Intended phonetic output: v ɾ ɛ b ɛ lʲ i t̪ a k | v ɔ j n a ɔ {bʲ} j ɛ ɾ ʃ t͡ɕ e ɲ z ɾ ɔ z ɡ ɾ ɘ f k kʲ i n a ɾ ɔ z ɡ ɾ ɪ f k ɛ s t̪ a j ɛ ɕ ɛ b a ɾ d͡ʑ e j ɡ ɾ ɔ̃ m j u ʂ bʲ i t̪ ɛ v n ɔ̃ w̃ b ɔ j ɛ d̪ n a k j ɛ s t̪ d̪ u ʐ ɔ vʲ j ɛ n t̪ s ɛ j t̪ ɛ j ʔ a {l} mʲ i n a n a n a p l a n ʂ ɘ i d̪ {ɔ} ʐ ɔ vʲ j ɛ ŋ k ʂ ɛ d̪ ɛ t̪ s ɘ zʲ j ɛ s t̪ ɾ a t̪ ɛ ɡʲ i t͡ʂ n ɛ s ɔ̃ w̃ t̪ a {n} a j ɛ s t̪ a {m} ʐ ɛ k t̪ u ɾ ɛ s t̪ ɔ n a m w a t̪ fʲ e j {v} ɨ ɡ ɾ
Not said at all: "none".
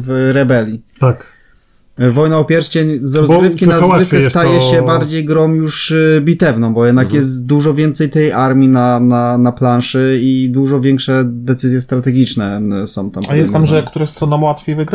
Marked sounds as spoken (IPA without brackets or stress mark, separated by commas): pʲ, ɾ, u, m, m, v